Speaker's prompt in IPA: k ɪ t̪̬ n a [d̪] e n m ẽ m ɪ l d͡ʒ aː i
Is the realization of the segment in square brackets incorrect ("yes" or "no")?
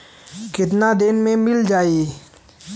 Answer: no